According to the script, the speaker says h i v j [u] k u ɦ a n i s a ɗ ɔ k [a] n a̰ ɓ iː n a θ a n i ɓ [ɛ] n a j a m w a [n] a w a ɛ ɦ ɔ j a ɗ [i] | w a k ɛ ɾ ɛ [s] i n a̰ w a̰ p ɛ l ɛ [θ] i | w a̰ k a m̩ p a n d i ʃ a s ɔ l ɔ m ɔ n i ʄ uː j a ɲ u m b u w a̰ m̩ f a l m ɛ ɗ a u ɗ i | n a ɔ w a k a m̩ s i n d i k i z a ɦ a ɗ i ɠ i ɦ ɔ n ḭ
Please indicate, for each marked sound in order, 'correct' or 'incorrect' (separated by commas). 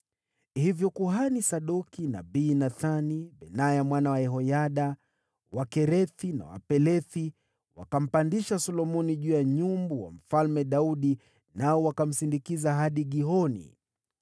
incorrect, incorrect, correct, correct, incorrect, incorrect, correct